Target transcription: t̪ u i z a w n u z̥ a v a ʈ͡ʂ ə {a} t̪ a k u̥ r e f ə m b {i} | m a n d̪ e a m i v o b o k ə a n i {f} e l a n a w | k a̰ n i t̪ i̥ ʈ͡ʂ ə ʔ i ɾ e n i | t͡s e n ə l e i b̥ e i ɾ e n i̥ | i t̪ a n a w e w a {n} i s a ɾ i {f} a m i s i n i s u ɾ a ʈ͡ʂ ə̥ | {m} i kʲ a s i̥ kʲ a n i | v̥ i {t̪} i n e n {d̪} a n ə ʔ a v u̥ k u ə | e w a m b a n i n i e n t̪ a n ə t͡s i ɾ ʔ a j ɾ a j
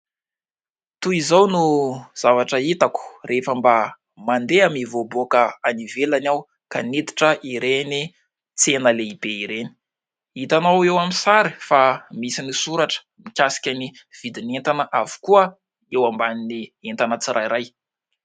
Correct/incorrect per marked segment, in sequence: incorrect: i, incorrect: a, incorrect: v, incorrect: m, correct, correct, incorrect: d̪, incorrect: t̪

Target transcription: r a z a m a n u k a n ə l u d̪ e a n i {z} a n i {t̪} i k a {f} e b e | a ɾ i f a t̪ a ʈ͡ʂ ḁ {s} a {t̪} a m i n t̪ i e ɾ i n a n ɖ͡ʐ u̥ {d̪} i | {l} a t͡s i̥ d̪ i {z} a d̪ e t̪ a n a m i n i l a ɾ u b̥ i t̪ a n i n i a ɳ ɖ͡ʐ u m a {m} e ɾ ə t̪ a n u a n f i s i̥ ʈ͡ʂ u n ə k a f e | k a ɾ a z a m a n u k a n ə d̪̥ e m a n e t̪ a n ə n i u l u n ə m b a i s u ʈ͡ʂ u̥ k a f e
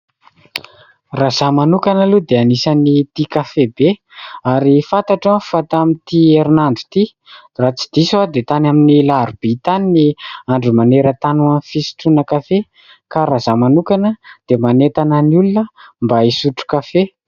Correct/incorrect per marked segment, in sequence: incorrect: s, correct, correct, incorrect: f, correct, incorrect: t̪, incorrect: r, incorrect: s, incorrect: n

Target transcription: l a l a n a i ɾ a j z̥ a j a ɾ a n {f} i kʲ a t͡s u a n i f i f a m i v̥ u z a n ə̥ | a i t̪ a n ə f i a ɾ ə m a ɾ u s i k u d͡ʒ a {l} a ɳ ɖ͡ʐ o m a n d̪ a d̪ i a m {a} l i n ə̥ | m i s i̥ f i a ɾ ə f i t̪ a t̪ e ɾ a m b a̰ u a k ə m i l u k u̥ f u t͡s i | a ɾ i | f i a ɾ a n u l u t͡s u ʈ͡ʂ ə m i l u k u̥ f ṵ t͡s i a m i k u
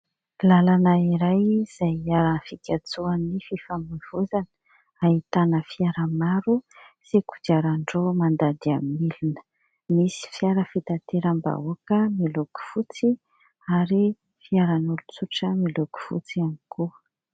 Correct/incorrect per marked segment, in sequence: correct, incorrect: ɾ, incorrect: i

